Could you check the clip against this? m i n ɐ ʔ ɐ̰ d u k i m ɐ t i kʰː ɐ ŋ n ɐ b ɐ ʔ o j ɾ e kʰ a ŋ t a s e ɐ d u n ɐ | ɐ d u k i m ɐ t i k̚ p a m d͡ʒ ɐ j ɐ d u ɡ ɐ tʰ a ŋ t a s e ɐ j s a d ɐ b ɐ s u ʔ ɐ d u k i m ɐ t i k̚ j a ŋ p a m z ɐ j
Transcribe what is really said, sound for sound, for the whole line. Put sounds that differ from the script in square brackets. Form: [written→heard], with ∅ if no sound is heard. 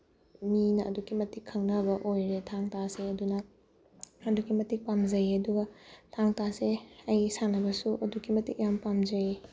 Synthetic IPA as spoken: m i n ɐ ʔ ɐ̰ d u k i m ɐ t i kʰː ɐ ŋ n ɐ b ɐ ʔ o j ɾ e [kʰ→tʰ] a ŋ t a s e ɐ d u n ɐ | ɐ d u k i m ɐ t i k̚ p a m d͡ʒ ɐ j ɐ d u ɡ ɐ tʰ a ŋ t a s e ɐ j s a [d→n] ɐ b ɐ s u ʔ ɐ d u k i m ɐ t i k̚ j a [ŋ→m] p a m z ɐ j